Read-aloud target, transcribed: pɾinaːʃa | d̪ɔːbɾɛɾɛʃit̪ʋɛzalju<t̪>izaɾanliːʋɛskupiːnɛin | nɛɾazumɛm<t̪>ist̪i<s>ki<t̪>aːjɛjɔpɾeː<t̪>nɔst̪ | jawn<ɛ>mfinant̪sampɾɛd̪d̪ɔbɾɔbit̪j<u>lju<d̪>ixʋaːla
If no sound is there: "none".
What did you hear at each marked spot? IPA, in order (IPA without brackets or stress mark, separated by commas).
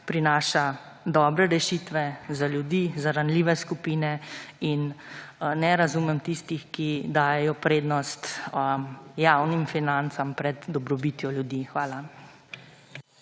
d̪, t̪, x, d̪, d̪, i, ɔ, d̪